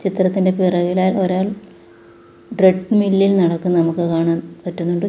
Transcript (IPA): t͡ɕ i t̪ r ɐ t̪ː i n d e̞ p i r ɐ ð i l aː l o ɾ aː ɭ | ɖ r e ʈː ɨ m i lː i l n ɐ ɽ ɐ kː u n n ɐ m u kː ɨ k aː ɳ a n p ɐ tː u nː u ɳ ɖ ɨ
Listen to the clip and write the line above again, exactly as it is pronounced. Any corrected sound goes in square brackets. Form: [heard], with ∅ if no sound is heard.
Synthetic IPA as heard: t͡ɕ i t̪ r ɐ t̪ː i n d e̞ p i r ɐ [ɣ] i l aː l o ɾ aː ɭ | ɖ r e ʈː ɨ m i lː i l n ɐ ɽ ɐ kː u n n ɐ m u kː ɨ k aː ɳ a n p ɐ tː u nː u ɳ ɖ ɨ